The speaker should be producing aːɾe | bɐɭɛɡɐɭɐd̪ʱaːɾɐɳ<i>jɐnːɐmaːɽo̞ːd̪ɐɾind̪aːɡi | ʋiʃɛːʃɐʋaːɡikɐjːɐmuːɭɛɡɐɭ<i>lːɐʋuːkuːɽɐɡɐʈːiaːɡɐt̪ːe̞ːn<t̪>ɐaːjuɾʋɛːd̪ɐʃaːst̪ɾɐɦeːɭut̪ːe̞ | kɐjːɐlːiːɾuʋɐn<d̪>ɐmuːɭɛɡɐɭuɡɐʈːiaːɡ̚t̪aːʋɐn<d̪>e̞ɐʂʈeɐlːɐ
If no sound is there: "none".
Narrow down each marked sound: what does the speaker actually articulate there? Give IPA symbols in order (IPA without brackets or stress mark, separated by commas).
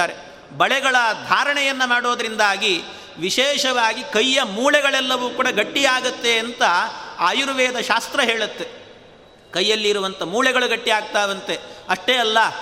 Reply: ɛ, ɛ, t̪, t̪, t̪